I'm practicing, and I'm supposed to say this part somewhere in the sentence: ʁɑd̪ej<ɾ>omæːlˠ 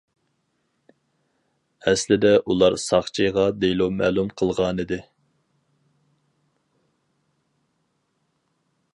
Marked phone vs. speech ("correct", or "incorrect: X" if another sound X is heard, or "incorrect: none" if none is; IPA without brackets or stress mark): incorrect: l